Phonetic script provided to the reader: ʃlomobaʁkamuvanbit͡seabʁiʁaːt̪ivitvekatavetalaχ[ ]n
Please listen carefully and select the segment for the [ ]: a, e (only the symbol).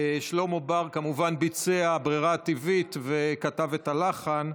a